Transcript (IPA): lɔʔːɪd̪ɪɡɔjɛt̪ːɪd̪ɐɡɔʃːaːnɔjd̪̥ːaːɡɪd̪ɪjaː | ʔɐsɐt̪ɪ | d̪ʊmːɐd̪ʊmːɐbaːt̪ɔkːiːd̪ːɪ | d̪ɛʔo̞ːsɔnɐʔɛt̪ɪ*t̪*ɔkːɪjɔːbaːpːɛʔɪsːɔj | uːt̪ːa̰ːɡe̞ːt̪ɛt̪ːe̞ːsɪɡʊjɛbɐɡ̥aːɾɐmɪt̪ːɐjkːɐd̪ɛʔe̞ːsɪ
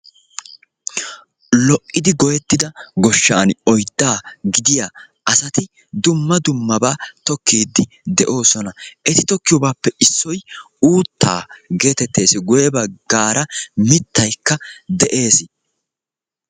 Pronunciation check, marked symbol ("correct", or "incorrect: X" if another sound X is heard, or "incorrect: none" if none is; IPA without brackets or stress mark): correct